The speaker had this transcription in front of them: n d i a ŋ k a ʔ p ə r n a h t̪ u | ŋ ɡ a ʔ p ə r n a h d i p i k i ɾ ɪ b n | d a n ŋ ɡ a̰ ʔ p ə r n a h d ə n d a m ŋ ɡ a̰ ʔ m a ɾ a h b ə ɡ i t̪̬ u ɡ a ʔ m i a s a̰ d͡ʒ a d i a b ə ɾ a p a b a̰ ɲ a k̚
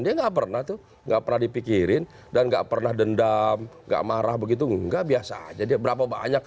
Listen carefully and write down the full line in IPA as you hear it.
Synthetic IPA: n d i a ŋ ɡ a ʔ p ə r n a h t̪ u | ŋ ɡ a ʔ p ə r n a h d i p i k i ɾ ɪ n | d a n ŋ ɡ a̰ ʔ p ə r n a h d ə n d a m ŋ ɡ a̰ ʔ m a ɾ a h b ə ɡ i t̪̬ u ɡ a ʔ b i a s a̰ d͡ʒ a d i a b ə ɾ a p a b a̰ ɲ a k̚